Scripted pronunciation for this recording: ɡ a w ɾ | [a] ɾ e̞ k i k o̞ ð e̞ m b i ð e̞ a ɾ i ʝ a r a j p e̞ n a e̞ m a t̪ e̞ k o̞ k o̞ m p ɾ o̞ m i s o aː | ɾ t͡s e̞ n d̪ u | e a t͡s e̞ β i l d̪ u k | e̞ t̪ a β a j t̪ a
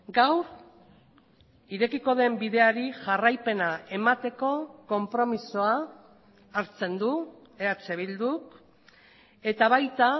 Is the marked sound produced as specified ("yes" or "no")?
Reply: no